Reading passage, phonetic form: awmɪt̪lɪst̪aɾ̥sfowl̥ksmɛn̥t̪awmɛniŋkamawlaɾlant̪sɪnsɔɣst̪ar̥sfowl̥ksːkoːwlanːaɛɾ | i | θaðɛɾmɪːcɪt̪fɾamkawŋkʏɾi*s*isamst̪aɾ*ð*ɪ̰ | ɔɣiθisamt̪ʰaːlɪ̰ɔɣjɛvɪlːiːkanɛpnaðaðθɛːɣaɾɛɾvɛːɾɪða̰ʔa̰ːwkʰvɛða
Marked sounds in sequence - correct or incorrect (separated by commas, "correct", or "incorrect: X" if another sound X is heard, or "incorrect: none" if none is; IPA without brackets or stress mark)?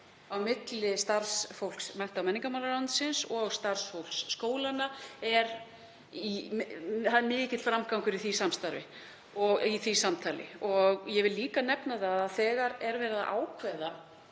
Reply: incorrect: θ, incorrect: v